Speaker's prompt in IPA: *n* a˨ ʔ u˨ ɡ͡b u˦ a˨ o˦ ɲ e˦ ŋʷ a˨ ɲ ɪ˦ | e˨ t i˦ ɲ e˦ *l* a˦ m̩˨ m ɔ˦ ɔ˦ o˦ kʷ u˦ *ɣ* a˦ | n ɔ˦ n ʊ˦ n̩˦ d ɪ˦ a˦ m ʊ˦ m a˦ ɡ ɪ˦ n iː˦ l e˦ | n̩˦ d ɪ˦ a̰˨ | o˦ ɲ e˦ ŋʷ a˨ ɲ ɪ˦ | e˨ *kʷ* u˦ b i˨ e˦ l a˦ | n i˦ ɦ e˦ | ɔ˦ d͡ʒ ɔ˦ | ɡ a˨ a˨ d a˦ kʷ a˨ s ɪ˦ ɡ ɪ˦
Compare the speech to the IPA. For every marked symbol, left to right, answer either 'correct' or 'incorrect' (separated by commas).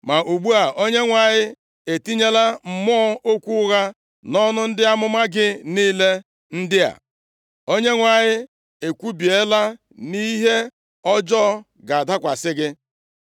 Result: incorrect, correct, correct, correct